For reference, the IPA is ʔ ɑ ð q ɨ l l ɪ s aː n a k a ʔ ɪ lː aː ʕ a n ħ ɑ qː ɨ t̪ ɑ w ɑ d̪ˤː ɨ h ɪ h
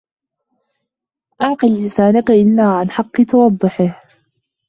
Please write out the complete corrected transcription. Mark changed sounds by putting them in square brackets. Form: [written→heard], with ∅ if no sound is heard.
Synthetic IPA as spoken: ʔ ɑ [ð→ʕ] q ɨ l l ɪ s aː n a k a ʔ ɪ lː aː ʕ a n ħ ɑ qː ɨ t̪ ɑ w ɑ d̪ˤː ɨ [h→ħ] ɪ h